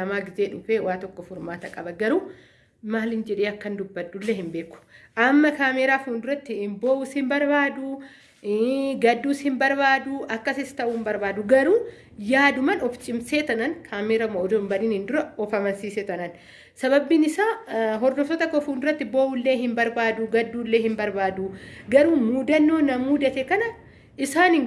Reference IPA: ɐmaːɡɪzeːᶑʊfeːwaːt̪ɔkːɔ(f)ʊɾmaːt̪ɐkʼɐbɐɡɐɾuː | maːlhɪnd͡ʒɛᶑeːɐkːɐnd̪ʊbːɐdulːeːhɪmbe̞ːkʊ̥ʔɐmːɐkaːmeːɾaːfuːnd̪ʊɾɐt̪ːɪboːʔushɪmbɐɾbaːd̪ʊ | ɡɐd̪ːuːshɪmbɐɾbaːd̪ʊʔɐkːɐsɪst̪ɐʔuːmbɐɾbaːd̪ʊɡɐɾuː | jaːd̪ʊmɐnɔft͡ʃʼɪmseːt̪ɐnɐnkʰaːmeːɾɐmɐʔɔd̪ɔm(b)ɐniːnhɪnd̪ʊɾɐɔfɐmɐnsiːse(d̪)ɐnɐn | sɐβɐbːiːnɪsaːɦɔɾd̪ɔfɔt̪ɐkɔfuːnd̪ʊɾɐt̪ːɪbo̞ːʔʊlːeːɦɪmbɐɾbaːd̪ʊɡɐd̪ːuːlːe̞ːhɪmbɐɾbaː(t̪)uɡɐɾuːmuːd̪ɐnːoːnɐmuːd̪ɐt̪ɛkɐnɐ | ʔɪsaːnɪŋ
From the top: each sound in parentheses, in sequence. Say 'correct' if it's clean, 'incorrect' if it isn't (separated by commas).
correct, correct, incorrect, incorrect